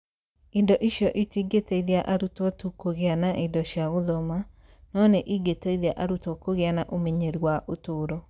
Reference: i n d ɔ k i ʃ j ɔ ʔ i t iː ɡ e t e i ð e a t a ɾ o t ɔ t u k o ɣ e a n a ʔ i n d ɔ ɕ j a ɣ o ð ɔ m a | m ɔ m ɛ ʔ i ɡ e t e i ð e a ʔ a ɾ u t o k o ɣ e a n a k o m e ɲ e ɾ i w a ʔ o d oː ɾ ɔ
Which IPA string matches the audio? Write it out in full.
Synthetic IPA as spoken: i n d ɔ ʔ i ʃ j ɔ ʔ i t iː ɡ e t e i ð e a ʔ a ɾ u t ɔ t u k o ɣ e a n a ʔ i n d ɔ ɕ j a ɣ o ð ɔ m a | n ɔ n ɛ ʔ i ɡ e t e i ð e a ʔ a ɾ u t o k o ɣ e a n a ʔ o m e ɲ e ɾ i w a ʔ o t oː ɾ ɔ